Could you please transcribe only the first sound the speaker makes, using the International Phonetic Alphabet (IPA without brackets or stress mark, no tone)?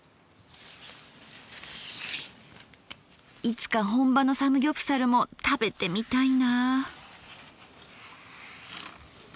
i